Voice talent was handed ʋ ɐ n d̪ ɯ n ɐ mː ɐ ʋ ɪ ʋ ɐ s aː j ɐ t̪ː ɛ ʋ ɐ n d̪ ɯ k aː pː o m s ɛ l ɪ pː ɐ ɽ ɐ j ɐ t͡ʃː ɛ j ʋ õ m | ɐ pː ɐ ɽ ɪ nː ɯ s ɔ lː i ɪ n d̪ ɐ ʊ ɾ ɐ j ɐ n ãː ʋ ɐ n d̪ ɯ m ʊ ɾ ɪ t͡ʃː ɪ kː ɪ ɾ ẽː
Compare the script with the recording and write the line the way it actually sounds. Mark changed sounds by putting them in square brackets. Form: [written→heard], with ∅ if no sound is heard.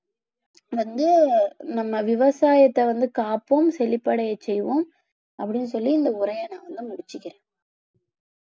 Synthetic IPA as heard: ʋ ɐ n d̪ ɯ n ɐ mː ɐ ʋ ɪ ʋ ɐ s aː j ɐ t̪ː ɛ ʋ ɐ n d̪ ɯ k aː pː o m s ɛ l ɪ pː ɐ ɽ ɐ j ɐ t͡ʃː ɛ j ʋ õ m | ɐ pː ɐ ɽ ɪ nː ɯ s ɔ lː i ɪ n d̪ ɐ ʊ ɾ ɐ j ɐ n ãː ʋ ɐ n d̪ ɯ m ʊ [ɾ→ɽ] ɪ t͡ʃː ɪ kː ɪ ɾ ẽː